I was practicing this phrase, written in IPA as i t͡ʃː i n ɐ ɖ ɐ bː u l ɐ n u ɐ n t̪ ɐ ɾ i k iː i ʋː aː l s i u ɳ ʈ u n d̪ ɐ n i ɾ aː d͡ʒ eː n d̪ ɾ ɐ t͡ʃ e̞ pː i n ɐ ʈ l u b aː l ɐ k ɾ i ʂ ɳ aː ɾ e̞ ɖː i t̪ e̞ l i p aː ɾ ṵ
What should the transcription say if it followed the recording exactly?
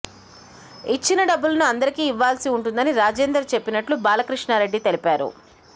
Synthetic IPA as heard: i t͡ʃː i n ɐ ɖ ɐ bː u l ɐ n u ɐ n d̪ ɐ ɾ i k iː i ʋː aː l s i u ɳ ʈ u n d̪ ɐ n i ɾ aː d͡ʒ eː n d̪ ɾ ɐ t͡ʃ e̞ pː i n ɐ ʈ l u b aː l ɐ k ɾ i ʂ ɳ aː ɾ e̞ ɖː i t̪ e̞ l i p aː ɾ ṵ

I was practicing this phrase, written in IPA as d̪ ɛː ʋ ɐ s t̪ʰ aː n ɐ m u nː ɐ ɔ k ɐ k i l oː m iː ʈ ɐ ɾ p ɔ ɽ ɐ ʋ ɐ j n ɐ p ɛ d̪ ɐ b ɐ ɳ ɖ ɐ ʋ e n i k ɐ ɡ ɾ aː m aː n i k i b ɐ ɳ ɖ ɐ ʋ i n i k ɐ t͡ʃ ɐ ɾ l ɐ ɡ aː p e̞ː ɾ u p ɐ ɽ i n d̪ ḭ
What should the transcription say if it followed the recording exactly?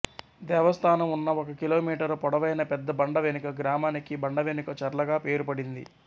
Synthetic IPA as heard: d̪ ɛː ʋ ɐ s t̪ʰ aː n ɐ m u nː ɐ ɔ k ɐ k i l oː m iː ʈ ɐ ɾ p ɔ ɽ ɐ ʋ ɐ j n ɐ p ɛ d̪ː ɐ b ɐ ɳ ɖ ɐ ʋ e n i k ɐ ɡ ɾ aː m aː n i k i b ɐ ɳ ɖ ɐ ʋ e n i k ɐ t͡ʃ ɐ ɾ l ɐ ɡ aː p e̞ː ɾ u p ɐ ɽ i n d̪ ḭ

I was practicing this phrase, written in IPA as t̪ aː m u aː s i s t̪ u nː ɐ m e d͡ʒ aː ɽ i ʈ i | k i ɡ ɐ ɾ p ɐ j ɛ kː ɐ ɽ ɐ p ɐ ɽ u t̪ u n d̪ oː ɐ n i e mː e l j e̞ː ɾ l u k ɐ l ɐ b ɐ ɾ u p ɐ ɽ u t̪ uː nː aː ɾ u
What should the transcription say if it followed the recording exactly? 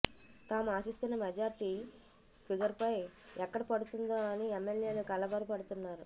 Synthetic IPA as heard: t̪ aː m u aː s i s t̪ u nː ɐ m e d͡ʒ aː ɾ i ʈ i | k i ɡ ɐ ɾ p ɐ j ɛ kː ɐ ɽ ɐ p ɐ ɽ u t̪ u n d̪ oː ɐ n i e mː e l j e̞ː l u k ɐ l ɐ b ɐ ɾ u p ɐ ɽ u t̪ u nː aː ɾ u

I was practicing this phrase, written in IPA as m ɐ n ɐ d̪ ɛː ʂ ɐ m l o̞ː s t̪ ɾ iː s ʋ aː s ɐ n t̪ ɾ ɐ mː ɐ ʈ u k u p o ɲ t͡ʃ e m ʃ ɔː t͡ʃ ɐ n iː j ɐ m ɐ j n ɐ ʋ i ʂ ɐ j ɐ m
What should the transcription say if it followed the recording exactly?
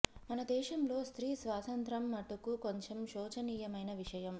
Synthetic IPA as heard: m ɐ n ɐ d̪ ɛː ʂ ɐ m l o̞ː s t̪ ɾ iː s ʋ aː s ɐ n t̪ ɾ ɐ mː ɐ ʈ u k u k o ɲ t͡ʃ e m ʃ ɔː t͡ʃ ɐ n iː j ɐ m ɐ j n ɐ ʋ i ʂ ɐ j ɐ m

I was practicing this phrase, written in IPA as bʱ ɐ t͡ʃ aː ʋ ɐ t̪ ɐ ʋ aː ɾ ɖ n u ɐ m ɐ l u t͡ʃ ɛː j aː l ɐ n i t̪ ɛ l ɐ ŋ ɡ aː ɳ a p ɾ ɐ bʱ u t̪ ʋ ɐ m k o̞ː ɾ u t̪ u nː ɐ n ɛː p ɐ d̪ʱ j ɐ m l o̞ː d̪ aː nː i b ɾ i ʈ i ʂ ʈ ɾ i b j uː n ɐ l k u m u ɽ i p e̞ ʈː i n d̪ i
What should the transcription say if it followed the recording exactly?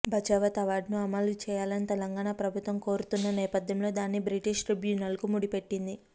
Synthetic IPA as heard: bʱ ɐ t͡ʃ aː ʋ ɐ t̪ ɐ ʋ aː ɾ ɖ n u ɐ m ɐ l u t͡ʃ ɛː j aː l ɐ n i t̪ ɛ l ɐ ŋ ɡ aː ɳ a p ɾ ɐ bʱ u t̪ ʋ ɐ m k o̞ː ɾ u t̪ u nː ɐ n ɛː p ɐ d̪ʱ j ɐ m l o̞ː d̪ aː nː i b ɾ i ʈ i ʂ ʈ ɾ i b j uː n ɐ l k u m u ɽ i p e̞ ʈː i n d̪ i

